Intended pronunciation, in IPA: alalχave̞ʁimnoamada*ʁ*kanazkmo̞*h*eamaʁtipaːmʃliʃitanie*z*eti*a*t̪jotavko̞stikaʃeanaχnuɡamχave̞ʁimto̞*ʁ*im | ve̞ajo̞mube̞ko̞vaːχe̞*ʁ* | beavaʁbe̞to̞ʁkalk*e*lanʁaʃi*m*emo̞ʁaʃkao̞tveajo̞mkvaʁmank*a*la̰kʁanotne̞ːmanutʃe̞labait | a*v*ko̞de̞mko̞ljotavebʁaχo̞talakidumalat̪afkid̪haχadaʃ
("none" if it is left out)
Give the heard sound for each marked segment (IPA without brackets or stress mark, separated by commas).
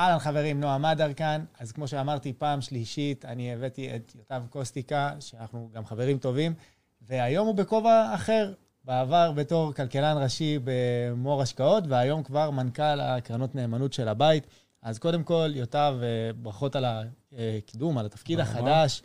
ʁ, ʃ, v, e, v, ʁ, e, b, a, z